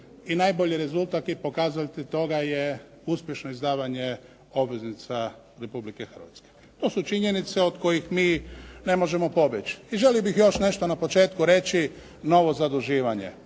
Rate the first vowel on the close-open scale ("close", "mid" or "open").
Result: close